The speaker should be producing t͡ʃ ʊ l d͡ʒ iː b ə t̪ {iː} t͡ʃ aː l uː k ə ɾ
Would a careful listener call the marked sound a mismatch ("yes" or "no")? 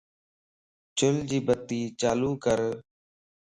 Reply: no